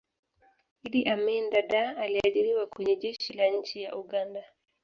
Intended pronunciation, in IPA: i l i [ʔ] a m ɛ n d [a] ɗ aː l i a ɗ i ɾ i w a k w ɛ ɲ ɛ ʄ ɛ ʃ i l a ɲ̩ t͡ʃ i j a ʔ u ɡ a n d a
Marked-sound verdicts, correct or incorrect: correct, correct

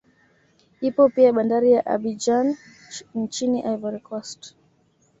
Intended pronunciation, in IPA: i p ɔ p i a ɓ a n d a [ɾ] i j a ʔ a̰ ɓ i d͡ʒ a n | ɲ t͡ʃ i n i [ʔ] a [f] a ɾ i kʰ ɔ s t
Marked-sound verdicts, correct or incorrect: correct, correct, incorrect

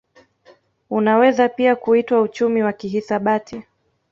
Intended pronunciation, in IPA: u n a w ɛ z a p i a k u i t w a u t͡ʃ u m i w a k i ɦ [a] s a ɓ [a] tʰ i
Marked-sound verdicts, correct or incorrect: incorrect, correct

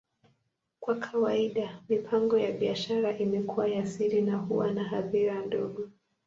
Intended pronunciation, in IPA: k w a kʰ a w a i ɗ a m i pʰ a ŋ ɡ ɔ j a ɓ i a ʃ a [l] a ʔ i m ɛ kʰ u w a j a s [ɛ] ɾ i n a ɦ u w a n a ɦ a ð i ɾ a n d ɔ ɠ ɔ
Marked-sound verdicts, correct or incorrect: incorrect, incorrect

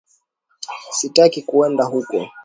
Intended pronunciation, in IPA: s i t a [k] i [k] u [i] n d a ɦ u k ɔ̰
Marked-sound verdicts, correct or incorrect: correct, correct, incorrect

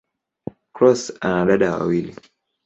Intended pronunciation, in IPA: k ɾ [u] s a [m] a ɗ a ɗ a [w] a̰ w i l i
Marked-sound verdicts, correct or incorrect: incorrect, incorrect, correct

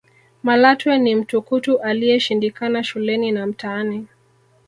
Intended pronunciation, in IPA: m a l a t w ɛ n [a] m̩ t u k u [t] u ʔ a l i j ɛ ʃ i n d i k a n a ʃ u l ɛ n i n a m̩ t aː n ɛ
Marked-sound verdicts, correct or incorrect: incorrect, correct

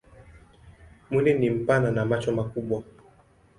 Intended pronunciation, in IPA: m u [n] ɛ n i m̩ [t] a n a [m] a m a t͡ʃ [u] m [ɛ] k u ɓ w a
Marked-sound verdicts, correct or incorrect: correct, incorrect, incorrect, incorrect, incorrect

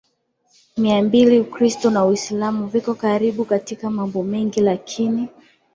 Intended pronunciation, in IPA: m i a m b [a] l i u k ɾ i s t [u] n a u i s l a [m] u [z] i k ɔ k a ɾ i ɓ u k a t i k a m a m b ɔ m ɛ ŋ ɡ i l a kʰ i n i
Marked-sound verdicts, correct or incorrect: incorrect, incorrect, correct, incorrect

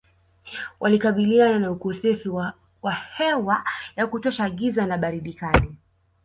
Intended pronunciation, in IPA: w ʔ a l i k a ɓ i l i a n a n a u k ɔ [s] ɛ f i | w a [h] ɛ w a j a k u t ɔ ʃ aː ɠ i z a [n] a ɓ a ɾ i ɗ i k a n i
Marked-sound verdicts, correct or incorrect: correct, correct, correct

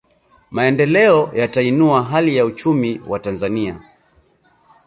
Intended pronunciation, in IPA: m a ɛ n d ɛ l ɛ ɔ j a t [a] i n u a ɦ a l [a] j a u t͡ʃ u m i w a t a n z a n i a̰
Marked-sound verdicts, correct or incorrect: correct, incorrect

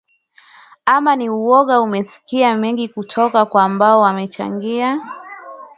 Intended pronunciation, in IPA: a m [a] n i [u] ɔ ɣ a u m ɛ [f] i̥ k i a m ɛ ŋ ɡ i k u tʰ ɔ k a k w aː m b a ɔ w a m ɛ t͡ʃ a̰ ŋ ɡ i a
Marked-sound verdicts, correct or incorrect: correct, correct, incorrect

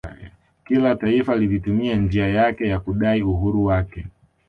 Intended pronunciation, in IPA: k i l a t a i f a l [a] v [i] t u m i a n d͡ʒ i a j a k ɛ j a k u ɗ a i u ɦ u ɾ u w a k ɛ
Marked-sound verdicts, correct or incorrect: incorrect, correct

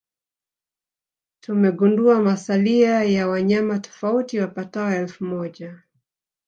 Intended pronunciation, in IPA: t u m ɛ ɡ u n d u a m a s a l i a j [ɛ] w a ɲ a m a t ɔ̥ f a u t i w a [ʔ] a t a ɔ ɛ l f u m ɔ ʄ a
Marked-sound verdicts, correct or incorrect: incorrect, incorrect

